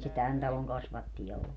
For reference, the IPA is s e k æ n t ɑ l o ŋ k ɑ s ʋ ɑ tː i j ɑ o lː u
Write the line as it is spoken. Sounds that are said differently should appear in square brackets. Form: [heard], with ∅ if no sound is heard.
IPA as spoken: s e [t] æ n t ɑ l o ŋ k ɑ s ʋ ɑ tː i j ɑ o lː u